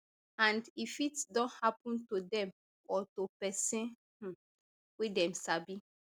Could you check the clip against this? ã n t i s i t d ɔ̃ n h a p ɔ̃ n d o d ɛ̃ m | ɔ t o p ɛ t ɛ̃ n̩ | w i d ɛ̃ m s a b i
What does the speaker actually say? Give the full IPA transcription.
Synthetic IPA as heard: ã n d i f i t d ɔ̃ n h a p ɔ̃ n t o d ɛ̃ m | ɔ t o p ɛ s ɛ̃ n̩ | w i d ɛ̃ m s a b i